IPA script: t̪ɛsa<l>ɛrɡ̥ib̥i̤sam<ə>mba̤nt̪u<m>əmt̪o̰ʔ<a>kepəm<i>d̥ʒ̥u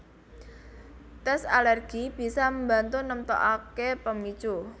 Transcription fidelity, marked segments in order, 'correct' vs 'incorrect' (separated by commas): correct, correct, incorrect, correct, correct